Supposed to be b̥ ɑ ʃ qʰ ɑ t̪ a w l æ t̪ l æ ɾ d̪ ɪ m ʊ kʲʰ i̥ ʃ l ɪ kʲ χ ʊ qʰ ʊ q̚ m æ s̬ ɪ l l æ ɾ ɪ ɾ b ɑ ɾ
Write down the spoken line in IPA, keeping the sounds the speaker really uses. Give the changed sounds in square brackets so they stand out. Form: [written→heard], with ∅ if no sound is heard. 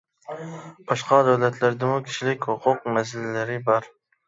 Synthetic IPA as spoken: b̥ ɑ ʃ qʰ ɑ [t̪→d̪] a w l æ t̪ l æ ɾ d̪ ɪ m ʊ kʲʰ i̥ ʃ l ɪ kʲ [χ→h] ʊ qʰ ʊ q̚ m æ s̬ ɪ l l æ ɾ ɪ [ɾ→∅] b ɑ ɾ